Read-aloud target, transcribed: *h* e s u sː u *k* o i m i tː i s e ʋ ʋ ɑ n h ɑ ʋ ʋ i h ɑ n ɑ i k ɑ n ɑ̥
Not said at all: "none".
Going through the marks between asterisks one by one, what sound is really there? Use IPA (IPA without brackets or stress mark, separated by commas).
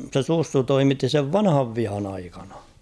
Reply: s, t